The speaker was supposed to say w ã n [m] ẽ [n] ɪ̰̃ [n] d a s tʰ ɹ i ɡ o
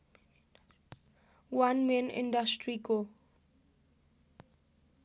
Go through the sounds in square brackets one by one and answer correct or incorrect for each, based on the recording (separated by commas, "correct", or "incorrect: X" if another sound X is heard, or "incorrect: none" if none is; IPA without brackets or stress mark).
correct, correct, correct